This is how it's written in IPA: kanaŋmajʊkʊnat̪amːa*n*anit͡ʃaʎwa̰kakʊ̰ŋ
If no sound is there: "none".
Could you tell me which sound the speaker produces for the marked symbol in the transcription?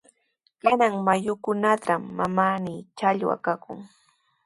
m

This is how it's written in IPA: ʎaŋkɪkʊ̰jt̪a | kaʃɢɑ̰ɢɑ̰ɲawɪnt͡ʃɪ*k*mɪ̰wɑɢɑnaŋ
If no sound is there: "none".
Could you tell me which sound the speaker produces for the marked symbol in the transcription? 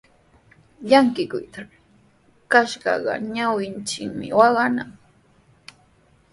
k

